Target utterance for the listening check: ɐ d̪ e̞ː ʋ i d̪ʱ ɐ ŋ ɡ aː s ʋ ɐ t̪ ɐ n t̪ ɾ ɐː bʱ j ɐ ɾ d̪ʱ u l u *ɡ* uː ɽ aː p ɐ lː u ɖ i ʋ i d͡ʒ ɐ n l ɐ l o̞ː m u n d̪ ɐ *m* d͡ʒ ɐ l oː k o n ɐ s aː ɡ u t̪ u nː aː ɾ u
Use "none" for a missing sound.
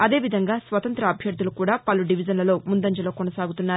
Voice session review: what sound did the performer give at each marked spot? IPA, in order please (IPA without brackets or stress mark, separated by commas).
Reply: k, ɲ